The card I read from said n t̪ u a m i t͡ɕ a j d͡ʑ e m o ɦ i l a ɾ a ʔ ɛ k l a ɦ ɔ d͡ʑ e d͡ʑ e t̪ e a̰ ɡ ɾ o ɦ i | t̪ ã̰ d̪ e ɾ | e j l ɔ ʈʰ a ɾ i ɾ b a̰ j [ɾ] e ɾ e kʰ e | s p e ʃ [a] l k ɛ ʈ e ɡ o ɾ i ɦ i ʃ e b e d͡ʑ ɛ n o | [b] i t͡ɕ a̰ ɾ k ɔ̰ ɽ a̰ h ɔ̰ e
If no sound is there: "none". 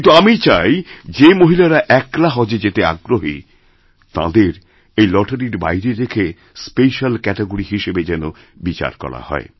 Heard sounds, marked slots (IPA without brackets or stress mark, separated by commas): ɾ, a, b